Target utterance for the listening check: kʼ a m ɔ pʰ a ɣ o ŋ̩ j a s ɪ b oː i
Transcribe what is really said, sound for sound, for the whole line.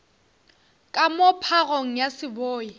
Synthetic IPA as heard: kʼ a m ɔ pʰ a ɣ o ŋ̩ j a s ɪ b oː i